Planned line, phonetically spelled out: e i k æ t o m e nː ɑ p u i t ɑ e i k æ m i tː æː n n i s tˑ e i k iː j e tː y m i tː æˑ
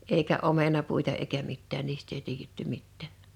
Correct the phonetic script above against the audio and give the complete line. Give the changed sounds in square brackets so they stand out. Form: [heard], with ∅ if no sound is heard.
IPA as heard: e i k æ [ʔ] o m e [n] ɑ p u i t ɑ e i k æ m i tː æː n n [iː] s tˑ e i [t] iː j e tː y m i tː æˑ